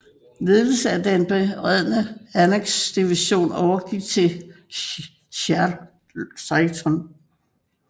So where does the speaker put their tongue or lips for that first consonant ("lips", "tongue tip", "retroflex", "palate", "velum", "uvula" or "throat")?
tongue tip